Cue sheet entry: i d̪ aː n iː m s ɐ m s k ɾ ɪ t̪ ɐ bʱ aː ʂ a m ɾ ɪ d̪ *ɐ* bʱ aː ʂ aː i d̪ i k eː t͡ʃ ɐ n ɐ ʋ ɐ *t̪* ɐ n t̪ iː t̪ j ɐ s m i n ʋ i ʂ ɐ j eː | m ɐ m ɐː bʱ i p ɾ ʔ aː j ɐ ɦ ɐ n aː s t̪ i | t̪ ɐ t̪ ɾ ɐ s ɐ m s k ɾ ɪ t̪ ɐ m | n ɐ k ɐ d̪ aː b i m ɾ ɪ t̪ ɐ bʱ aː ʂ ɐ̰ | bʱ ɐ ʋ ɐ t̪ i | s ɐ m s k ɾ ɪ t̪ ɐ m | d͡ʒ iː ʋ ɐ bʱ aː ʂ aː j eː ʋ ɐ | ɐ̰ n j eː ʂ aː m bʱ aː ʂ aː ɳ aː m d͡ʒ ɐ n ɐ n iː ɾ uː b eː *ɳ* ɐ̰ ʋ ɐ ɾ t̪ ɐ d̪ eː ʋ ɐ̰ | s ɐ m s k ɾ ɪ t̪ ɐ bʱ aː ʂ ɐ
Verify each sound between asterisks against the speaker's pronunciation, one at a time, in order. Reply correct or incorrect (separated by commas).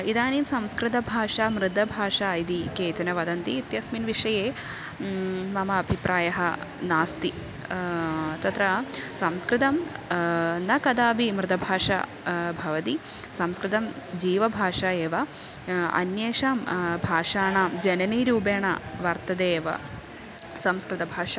correct, incorrect, correct